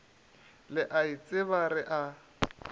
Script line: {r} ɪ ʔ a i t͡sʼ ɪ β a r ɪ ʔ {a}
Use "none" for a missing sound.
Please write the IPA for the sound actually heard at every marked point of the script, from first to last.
l, a

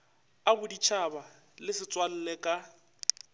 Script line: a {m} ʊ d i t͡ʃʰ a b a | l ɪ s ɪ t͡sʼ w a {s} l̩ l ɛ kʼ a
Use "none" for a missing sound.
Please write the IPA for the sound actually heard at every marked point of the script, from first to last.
b, none

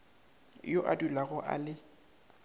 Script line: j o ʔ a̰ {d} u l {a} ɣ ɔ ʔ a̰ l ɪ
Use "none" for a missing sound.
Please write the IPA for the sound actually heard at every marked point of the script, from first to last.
d, a

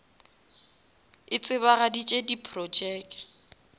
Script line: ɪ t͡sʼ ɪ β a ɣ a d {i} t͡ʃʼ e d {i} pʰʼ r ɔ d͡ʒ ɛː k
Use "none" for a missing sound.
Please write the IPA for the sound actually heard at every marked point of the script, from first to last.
i, i

